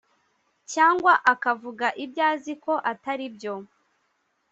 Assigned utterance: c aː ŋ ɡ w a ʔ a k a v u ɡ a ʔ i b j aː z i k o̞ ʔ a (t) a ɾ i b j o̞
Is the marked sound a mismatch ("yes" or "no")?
no